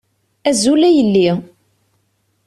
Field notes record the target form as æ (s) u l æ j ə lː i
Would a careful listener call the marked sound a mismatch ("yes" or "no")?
yes